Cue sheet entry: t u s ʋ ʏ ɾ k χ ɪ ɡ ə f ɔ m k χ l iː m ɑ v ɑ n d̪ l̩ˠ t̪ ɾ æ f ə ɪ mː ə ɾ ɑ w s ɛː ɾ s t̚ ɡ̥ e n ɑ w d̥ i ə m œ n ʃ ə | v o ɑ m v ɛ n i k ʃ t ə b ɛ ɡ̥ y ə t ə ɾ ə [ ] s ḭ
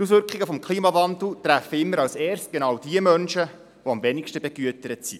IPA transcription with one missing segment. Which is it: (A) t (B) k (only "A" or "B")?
A